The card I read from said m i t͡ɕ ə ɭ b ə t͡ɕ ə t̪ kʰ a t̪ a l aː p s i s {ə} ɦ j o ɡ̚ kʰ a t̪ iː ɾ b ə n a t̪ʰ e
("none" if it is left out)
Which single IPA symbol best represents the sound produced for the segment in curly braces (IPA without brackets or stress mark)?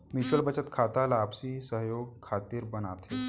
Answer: ə